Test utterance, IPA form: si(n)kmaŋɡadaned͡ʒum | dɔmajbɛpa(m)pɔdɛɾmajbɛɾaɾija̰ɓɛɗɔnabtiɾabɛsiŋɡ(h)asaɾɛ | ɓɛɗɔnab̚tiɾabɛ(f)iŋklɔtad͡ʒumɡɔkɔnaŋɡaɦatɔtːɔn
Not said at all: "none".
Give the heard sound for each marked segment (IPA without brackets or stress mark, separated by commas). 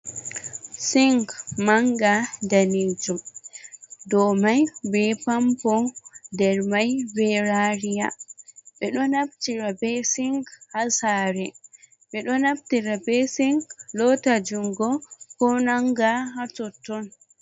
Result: ŋ, m, h, s